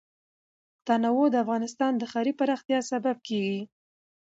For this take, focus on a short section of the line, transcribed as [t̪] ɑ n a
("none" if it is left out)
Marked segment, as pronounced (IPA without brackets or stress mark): t̪